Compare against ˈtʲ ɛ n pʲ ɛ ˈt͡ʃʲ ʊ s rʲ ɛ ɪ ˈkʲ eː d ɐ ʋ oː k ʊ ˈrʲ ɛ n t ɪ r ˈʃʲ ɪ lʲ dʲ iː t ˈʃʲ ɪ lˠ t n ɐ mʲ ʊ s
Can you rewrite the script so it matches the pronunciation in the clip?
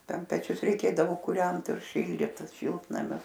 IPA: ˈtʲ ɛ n pʲ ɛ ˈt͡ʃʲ ʊ s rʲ ɛ ɪ ˈkʲ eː d ɐ ʋ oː k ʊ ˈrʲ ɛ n t ɪ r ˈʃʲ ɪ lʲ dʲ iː t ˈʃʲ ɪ lˠ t n ɐ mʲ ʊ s